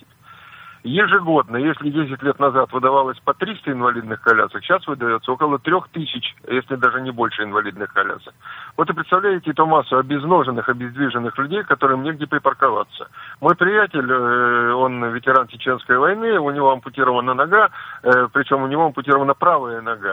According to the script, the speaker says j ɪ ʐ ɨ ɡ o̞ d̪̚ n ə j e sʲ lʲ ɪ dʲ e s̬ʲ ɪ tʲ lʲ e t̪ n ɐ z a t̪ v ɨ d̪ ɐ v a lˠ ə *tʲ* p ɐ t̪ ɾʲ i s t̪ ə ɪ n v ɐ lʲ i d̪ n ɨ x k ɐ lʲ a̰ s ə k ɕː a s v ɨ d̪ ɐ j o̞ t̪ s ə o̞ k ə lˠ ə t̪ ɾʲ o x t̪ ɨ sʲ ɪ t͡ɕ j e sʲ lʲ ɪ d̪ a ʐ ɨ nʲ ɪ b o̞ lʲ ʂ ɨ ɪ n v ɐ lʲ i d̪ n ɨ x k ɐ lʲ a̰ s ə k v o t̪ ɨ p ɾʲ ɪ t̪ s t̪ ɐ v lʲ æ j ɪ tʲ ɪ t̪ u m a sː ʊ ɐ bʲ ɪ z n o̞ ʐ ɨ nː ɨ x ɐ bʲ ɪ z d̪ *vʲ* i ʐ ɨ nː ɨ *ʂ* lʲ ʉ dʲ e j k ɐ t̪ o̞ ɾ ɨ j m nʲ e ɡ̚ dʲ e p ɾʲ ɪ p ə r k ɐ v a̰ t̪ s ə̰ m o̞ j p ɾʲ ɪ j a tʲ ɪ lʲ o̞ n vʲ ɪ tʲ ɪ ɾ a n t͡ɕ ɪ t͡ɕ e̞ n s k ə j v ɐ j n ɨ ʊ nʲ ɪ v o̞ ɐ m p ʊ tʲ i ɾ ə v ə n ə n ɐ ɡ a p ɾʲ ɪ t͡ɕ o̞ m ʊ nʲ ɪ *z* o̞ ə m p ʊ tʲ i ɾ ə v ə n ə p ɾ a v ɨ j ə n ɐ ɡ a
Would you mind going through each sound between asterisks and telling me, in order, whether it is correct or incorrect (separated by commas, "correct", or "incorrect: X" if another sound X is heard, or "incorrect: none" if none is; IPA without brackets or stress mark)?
incorrect: sʲ, correct, incorrect: x, incorrect: v